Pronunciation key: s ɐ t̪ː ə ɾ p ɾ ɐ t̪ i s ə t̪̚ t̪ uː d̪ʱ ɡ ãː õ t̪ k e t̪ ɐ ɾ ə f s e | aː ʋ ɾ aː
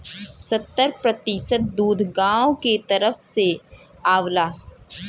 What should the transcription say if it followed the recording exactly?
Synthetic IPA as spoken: s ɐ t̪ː ə ɾ p ɾ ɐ t̪ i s ə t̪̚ d̪ uː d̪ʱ ɡ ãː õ k e t̪ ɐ ɾ ə f s e | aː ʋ l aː